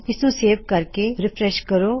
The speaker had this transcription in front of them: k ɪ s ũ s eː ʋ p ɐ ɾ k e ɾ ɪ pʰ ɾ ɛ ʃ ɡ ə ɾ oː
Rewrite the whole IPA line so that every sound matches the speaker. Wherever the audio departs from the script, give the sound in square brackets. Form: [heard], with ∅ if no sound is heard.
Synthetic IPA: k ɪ s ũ s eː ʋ [k] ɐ ɾ k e ɾ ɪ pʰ ɾ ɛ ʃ [k] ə ɾ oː